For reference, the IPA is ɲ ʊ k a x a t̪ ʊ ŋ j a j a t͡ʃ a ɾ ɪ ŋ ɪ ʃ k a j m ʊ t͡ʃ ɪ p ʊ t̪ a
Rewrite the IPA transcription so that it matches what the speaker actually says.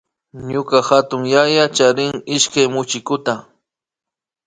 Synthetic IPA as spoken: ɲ ʊ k a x a t̪ ʊ ŋ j a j a t͡ʃ a ɾ ɪ ŋ ɪ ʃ k a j m ʊ t͡ʃ ɪ k ʊ t̪ a